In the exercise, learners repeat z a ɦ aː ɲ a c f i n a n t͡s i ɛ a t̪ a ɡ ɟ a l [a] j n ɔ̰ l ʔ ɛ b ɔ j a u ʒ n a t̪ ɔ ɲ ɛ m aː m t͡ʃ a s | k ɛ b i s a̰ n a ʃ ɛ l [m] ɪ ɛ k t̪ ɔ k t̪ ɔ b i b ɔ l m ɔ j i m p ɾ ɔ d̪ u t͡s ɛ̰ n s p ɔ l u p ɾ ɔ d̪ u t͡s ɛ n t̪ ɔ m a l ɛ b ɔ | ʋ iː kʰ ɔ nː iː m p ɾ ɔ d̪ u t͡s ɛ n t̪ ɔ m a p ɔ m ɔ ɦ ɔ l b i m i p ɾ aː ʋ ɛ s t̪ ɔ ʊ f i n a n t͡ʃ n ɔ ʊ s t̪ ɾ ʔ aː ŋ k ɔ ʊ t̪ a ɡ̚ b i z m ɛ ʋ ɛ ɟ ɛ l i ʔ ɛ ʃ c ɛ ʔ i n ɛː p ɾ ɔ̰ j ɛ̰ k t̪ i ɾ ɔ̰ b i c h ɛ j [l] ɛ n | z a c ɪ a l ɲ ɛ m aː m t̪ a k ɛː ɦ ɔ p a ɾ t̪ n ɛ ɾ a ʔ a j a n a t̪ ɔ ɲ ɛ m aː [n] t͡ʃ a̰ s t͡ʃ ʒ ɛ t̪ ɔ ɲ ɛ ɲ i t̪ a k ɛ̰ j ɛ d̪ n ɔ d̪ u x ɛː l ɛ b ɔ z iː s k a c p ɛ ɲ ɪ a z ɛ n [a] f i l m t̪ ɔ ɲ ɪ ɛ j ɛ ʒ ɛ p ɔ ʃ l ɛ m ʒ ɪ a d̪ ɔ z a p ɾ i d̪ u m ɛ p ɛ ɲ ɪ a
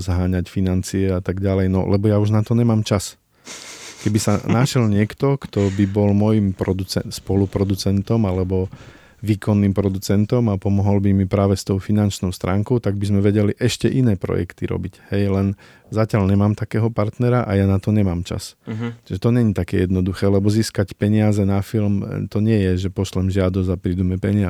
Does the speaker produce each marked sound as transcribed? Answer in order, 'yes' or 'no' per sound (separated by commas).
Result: no, no, yes, no, yes